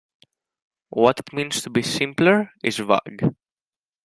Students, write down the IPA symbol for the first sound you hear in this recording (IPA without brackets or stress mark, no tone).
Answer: w